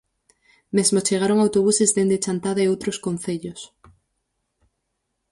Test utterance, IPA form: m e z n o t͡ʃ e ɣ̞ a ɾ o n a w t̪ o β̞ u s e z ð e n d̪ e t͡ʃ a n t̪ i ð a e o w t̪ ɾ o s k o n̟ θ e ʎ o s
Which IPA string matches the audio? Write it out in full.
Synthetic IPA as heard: m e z m o t͡ʃ e ɣ̞ a ɾ o ŋ a w t̪ o β̞ u s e z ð e n d̪ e t͡ʃ a n t̪ a ð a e o w t̪ ɾ o s k o n̟ θ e ʎ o s

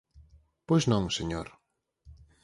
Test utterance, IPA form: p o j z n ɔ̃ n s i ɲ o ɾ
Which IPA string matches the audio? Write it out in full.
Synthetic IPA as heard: p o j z n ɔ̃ ŋ s e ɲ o ɾ

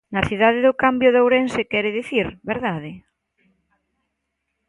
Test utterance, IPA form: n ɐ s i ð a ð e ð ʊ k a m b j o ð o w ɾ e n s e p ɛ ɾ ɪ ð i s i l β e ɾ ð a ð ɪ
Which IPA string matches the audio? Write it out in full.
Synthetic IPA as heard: n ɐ θ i ð a ð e ð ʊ k a m b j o ð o w ɾ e n s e k ɛ ɾ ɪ ð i θ i ɾ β e ɾ ð a ð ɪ

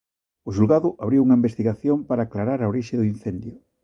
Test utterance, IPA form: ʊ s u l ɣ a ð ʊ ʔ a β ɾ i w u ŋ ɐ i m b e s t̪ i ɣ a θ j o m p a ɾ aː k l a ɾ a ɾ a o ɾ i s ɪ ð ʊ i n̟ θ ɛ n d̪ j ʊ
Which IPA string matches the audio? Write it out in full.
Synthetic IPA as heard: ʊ ʃ u l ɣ a ð ʊ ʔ a β ɾ i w u ŋ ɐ i m b e s t̪ i ɣ a θ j o m p a ɾ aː k l a ɾ a ɾ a o ɾ i ʃ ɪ ð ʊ i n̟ θ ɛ n d̪ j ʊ

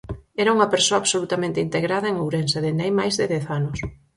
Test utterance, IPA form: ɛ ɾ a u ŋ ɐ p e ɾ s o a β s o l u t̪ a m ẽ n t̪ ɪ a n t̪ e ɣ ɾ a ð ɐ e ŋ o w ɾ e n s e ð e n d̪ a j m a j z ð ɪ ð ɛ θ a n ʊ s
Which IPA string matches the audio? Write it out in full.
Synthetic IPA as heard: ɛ ɾ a u ŋ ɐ p e ɾ s o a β s o l u t̪ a m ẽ n t̪ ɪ i n t̪ e ɣ ɾ a ð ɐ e ŋ o w ɾ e n s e ð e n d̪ a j m a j z ð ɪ ð ɛ θ a n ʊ s

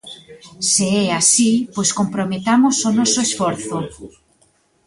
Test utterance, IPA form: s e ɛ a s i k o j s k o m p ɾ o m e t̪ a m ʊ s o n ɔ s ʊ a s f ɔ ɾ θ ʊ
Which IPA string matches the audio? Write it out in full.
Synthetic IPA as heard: s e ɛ a s i p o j s k o m p ɾ o m e t̪ a m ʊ s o n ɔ s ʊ e s f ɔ ɾ θ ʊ

